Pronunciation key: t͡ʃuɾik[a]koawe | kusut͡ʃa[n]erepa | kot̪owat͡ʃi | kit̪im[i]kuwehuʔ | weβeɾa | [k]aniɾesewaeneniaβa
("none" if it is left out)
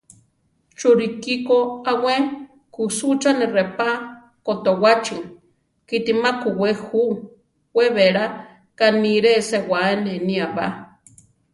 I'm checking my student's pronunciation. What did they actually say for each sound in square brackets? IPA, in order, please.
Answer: i, n, a, k

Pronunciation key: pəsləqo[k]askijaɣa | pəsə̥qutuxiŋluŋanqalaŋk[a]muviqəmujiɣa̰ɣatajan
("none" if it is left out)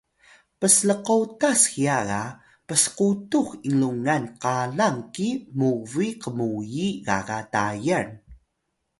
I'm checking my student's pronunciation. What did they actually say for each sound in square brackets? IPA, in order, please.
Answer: t, i

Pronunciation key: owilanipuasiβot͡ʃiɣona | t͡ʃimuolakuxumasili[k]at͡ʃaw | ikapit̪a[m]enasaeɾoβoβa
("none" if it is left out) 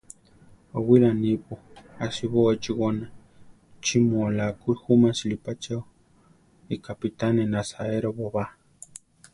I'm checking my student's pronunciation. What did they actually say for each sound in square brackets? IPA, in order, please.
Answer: p, n

